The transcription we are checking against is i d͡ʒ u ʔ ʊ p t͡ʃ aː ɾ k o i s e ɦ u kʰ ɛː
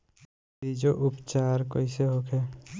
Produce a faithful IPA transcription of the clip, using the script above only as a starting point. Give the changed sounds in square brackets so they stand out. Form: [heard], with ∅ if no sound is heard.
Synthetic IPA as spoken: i d͡ʒ [o] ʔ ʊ p t͡ʃ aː ɾ k o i s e ɦ [o] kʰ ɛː

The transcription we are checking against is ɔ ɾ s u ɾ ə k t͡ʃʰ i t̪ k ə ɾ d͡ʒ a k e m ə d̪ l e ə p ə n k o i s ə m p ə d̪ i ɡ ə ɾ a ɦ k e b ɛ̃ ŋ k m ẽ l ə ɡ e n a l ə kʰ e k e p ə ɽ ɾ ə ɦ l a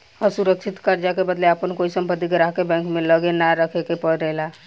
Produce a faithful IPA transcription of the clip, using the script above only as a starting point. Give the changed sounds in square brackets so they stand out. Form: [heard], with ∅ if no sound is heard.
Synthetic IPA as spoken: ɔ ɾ s u ɾ ə k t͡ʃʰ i t̪ k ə ɾ d͡ʒ a k e [b] ə d̪ l e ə p ə n k o i s ə m p ə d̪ i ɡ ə ɾ a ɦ k e b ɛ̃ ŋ k m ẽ l ə ɡ e n a [ɾ] ə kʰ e k e p ə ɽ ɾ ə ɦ l a

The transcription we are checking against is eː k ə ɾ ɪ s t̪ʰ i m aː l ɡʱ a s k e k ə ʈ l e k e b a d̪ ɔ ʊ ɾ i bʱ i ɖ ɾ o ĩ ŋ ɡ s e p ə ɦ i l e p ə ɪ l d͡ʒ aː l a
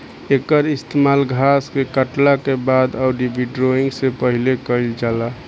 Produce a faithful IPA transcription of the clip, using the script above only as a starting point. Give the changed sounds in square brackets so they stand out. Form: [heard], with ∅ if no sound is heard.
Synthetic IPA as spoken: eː k ə ɾ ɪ s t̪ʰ [e] m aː l ɡʱ a s k e k ə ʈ l [a] k e b a d̪ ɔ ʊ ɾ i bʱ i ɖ ɾ o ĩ ŋ ɡ s e p ə ɦ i l e [k] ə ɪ l d͡ʒ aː l a

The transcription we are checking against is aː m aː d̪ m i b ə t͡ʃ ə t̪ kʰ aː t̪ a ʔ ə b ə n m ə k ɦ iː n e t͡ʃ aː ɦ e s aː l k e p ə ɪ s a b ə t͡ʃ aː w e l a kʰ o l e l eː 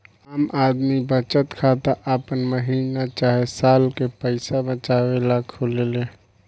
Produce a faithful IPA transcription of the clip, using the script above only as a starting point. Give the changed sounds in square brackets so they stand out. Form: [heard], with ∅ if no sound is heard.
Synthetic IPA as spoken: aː m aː d̪ m i b ə t͡ʃ ə t̪ kʰ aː t̪ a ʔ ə [p] ə n m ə [∅] ɦ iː n [a] t͡ʃ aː ɦ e s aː l k e p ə ɪ s a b ə t͡ʃ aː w e l a kʰ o l e l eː

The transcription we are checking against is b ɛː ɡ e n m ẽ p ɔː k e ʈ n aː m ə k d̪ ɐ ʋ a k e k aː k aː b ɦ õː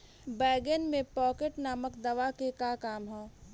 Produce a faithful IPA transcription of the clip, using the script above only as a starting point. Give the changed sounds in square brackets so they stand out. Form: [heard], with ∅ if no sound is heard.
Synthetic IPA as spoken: b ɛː ɡ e n m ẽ p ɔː k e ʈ n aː m ə k d̪ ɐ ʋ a k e k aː k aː [m] ɦ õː

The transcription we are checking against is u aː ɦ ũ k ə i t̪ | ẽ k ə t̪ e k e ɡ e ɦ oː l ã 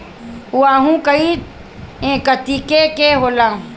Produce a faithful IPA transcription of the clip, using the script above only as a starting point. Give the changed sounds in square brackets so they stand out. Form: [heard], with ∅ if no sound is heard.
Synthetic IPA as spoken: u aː ɦ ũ k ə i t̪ | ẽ k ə t̪ [i] k e [k] e ɦ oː l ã

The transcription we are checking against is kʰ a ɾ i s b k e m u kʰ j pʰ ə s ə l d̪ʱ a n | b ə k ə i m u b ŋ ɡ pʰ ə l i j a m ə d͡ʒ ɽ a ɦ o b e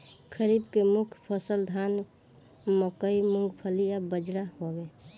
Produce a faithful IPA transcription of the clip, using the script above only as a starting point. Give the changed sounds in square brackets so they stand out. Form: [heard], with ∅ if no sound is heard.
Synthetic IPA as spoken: kʰ [ə] ɾ i [∅] b k e m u kʰ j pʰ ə s ə l d̪ʱ a n | [m] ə k ə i m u [∅] ŋ ɡ pʰ ə l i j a [b] ə d͡ʒ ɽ a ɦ o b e

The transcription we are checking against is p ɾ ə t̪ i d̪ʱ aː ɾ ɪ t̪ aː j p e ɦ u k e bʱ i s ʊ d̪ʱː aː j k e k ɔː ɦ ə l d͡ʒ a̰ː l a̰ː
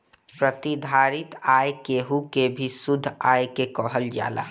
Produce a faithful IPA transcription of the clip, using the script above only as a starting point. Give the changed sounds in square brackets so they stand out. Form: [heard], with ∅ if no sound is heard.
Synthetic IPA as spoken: p ɾ ə t̪ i d̪ʱ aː ɾ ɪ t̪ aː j [k] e ɦ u k e bʱ i s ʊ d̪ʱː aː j k e k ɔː ɦ ə l d͡ʒ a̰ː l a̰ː

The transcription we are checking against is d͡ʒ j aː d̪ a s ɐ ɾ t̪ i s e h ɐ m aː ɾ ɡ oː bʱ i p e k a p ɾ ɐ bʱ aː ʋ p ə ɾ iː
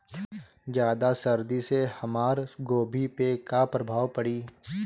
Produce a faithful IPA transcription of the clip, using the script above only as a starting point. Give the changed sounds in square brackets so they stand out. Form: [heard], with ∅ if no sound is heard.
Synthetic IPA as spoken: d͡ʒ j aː d̪ a s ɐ ɾ [d̪] i s e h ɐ m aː ɾ ɡ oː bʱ i p e k a p ɾ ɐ bʱ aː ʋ p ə [ɽ] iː

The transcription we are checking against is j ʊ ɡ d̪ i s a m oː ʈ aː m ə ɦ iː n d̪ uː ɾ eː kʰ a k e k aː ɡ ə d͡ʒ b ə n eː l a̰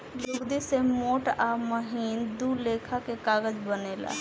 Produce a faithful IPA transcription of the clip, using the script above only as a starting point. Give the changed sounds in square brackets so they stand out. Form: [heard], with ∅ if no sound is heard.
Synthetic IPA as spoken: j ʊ ɡ d̪ i s [e] m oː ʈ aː m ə ɦ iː n d̪ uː [l] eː kʰ a k e k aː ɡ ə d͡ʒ b ə n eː l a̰

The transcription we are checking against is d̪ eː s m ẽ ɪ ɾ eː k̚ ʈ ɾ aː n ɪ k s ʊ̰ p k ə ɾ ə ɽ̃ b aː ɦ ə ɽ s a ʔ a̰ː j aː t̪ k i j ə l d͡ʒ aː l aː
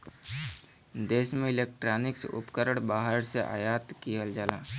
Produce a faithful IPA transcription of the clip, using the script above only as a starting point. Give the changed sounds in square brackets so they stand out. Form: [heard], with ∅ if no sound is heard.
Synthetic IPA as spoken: d̪ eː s m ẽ ɪ [l] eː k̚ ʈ ɾ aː n ɪ k s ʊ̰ p k ə ɾ ə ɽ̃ b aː ɦ ə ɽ s [e] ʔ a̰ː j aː t̪ k i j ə l d͡ʒ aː l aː

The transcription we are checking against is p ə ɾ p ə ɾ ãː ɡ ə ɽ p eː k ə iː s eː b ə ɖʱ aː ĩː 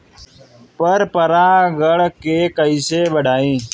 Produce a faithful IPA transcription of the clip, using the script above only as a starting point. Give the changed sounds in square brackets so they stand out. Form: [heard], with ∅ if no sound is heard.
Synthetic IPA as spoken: p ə ɾ p ə ɾ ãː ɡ ə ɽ [k] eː k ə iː s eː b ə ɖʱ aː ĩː

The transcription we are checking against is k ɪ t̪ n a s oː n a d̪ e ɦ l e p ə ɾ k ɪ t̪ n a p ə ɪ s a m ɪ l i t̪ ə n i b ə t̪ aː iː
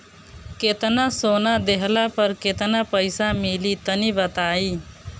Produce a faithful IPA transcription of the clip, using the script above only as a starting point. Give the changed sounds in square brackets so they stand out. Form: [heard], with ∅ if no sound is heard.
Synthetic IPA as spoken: k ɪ t̪ n a s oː n a d̪ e ɦ l [a] p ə ɾ k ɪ t̪ n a p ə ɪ s a m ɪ l i t̪ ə n i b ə t̪ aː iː

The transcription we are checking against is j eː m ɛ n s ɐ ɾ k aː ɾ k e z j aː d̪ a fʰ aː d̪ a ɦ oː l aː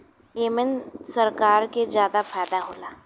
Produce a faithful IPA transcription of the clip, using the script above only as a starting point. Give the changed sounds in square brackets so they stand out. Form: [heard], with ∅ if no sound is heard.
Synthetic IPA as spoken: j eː m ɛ n s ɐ ɾ k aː ɾ k e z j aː d̪ a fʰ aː d̪ a ɦ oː l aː

